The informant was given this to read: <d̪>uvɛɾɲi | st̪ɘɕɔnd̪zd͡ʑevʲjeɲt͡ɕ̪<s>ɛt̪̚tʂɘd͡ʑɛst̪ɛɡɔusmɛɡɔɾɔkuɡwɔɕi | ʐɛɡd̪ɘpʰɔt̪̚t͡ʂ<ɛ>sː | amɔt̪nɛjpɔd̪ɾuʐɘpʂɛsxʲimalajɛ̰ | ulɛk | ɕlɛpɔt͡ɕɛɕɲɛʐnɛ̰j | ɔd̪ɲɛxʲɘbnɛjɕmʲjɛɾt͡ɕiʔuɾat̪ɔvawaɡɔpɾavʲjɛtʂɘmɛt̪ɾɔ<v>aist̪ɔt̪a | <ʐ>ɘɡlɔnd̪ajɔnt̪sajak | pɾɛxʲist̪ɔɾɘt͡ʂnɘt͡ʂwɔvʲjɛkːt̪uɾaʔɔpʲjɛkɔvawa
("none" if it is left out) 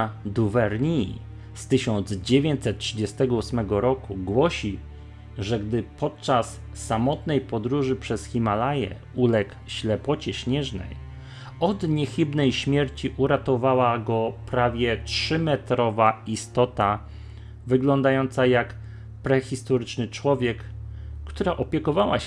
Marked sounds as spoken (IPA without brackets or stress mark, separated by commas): d̪, s, a, v, v